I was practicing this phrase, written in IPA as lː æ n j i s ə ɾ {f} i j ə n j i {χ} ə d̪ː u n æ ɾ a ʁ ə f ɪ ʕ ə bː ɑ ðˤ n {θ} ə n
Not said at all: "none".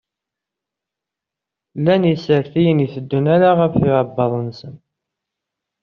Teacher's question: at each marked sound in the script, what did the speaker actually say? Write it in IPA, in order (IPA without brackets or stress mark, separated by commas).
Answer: θ, θ, s